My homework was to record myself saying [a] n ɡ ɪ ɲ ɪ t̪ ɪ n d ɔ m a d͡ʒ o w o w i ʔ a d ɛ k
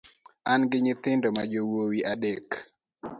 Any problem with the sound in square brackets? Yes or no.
no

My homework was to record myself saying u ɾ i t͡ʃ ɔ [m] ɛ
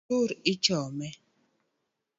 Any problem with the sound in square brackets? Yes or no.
no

